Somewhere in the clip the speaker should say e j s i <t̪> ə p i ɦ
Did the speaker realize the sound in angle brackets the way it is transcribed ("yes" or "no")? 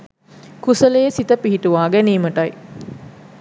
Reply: yes